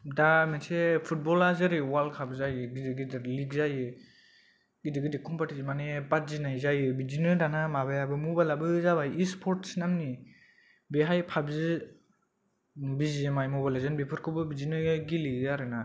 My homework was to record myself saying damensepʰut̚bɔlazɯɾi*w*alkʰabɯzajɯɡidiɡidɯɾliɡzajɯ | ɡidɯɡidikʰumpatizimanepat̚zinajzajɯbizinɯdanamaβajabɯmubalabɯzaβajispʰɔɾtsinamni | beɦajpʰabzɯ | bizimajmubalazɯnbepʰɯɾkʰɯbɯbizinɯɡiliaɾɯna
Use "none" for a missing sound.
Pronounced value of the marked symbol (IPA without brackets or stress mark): w